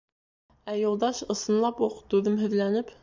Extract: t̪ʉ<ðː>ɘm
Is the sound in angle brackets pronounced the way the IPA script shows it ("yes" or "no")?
no